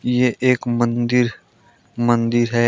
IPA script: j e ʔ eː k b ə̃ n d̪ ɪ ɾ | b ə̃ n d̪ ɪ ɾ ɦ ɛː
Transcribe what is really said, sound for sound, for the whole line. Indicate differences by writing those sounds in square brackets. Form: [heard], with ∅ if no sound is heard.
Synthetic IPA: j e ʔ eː k [m] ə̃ n d̪ ɪ ɾ | [m] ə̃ n d̪ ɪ ɾ ɦ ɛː